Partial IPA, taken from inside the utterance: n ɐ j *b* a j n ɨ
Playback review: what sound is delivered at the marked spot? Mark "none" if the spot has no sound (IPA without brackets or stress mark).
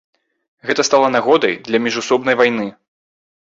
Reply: v